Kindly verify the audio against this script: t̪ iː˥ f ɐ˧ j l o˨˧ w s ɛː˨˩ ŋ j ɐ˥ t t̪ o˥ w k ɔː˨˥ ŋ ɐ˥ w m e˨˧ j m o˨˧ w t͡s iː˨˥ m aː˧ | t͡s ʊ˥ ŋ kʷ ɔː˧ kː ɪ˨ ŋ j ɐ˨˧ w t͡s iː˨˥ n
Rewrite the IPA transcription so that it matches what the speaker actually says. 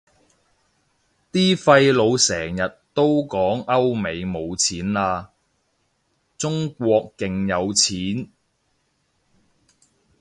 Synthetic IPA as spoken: t̪ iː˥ f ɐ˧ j l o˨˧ w s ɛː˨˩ ŋ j ɐ˨ t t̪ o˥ w k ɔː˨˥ ŋ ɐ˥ w m e˨˧ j m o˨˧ w t͡sʰ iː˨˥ n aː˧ | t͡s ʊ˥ ŋ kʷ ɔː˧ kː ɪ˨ ŋ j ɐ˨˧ w t͡sʰ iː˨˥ n

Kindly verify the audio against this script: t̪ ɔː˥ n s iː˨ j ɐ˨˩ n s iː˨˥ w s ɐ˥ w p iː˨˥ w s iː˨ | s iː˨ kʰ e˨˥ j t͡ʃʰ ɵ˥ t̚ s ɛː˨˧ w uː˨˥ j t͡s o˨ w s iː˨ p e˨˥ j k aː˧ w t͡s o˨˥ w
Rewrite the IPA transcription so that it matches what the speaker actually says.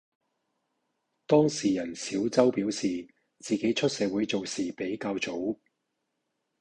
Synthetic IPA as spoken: t̪ ɔː˥ ŋ s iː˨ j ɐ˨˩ n s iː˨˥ w t͡s ɐ˥ w p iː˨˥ w s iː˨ | t͡s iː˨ k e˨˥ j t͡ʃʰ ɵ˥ t̚ s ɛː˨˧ w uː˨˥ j t͡s o˨ w s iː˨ p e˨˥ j k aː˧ w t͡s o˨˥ w

